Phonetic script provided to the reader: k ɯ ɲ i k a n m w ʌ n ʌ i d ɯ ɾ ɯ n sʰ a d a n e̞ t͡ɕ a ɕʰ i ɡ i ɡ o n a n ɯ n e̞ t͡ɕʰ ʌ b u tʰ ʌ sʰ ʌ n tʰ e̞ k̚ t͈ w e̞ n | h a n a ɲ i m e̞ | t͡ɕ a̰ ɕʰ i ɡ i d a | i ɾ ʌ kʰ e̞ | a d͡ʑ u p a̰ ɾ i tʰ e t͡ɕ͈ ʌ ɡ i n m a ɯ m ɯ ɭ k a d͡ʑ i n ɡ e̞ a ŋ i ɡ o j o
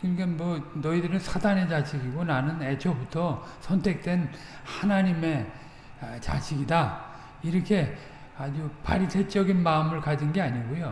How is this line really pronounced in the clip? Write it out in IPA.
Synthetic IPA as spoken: k ɯ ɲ i k a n m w ʌ n ʌ i d ɯ ɾ ɯ n sʰ a d a n e̞ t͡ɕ a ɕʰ i ɡ i ɡ o n a n ɯ n e̞ t͡ɕʰ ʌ b u tʰ ʌ sʰ ʌ n tʰ e̞ k̚ t͈ w e̞ n | h a n a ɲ i m e̞ | t͡ɕ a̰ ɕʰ i ɡ i d a | i ɾ ʌ kʰ e̞ | a d͡ʑ u p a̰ ɾ i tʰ e t͡ɕ͈ ʌ ɡ i n m a ɯ m ɯ ɭ k a d͡ʑ i n ɡ e̞ a ɲ i ɡ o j o